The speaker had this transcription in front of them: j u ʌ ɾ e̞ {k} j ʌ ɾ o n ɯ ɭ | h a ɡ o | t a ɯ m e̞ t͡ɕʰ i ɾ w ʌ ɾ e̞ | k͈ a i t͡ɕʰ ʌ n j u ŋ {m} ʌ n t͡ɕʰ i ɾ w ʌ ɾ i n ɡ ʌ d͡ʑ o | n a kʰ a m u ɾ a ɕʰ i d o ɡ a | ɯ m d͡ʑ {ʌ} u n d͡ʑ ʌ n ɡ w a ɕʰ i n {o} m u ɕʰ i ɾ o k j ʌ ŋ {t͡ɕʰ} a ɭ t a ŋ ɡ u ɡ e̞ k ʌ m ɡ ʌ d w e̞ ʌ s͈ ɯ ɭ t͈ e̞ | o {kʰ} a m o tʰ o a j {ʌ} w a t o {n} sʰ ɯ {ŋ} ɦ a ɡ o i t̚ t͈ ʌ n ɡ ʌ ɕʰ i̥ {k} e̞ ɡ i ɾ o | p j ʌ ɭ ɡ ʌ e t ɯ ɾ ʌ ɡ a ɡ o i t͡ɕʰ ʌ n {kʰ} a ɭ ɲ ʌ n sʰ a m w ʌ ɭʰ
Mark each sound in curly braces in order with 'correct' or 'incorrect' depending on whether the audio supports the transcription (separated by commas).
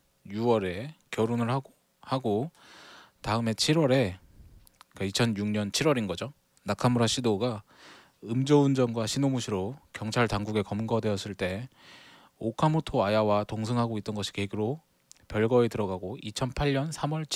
correct, incorrect, correct, correct, correct, correct, incorrect, incorrect, correct, correct, incorrect